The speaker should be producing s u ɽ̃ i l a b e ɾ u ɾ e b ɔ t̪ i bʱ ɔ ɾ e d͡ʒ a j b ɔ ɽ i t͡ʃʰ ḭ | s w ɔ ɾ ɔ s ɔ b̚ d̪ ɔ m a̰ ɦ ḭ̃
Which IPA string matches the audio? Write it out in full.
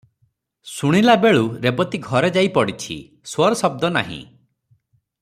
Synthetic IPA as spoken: s u ɽ̃ i l a b e ɭ u ɾ e b ɔ t̪ i ɡʱ ɔ ɾ e d͡ʒ a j p ɔ ɽ i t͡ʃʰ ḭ | s w ɔ ɾ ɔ s ɔ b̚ d̪ ɔ n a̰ ɦ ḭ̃